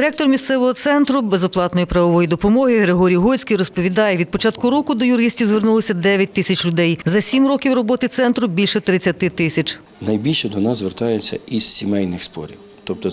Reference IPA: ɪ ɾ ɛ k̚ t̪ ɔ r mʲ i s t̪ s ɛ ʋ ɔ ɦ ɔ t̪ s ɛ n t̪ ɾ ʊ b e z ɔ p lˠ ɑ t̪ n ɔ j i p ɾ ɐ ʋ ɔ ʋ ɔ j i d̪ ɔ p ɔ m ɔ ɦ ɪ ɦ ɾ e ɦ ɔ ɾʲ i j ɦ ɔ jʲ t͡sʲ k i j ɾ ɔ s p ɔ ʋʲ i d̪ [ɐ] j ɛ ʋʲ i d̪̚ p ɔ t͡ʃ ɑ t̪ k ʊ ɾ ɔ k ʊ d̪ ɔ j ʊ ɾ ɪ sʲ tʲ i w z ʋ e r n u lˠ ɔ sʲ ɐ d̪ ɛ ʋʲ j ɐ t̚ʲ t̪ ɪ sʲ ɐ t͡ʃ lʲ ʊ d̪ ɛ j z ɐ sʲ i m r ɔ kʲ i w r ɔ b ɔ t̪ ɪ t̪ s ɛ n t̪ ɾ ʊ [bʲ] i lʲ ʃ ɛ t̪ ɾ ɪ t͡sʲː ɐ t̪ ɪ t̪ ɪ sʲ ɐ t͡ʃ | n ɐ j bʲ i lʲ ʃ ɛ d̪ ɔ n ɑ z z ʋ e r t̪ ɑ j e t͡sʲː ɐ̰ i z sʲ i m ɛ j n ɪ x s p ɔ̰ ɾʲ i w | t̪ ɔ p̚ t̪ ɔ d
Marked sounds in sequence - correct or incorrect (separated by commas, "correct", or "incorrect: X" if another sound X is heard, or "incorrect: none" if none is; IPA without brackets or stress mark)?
incorrect: ɑ, correct